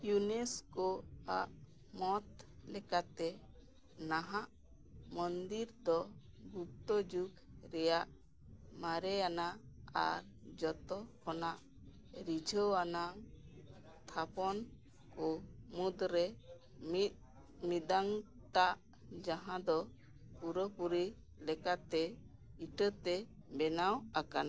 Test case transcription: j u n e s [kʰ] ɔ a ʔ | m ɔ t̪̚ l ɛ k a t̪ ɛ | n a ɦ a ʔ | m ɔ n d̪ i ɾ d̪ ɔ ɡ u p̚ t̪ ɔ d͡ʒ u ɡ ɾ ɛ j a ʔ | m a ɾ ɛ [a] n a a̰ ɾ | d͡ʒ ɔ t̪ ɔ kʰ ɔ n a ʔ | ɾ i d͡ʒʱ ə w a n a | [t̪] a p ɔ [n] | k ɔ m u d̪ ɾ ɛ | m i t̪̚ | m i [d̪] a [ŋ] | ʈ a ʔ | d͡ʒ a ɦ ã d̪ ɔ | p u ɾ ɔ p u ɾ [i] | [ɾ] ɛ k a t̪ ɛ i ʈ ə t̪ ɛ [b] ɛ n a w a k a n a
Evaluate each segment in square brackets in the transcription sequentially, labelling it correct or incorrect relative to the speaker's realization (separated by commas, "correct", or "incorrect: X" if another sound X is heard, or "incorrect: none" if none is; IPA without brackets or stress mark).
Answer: incorrect: k, correct, incorrect: t̪ʰ, correct, correct, correct, correct, incorrect: l, correct